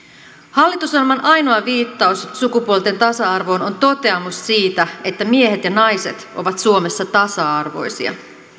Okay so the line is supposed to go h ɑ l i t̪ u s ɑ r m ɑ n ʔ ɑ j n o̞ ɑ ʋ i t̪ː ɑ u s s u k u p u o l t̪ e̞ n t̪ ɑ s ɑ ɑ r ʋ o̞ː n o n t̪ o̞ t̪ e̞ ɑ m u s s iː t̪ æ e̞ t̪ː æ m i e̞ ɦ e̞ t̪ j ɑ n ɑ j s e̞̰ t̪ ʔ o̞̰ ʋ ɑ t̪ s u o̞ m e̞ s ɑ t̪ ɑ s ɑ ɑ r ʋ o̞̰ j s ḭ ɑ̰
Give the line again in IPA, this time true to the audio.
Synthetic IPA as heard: h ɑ lː i t̪ u s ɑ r m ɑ n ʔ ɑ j n o̞ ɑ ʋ iː t̪ː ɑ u s s u k u p u o l t̪ e̞ n t̪ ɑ s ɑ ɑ r ʋ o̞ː n o n t̪ o̞ t̪ e̞ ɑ m u s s iː t̪ æ e̞ t̪ː æ m i e̞ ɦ e̞ t̪ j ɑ n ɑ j s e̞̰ t̪ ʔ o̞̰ ʋ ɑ t̪ s u o̞ m e̞ sː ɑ t̪ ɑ s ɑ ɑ r ʋ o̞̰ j s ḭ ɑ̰